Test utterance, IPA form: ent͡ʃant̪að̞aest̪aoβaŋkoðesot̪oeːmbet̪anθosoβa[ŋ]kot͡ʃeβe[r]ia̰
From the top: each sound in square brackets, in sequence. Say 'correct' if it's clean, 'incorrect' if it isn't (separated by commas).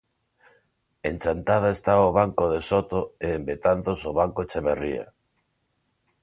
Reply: correct, correct